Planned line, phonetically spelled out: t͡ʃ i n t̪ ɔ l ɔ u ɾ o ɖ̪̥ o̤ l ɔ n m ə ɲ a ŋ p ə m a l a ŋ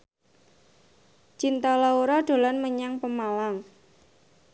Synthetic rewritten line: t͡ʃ i n t̪ ɔ l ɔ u ɾ ɔ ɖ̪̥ o̤ l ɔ n m ə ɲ a ŋ p ə m a l a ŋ